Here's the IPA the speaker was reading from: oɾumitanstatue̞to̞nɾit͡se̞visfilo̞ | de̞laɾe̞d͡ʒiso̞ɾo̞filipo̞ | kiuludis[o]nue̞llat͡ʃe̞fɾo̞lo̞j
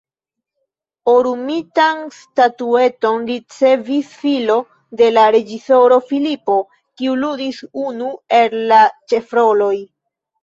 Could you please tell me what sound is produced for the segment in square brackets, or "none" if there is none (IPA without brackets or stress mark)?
u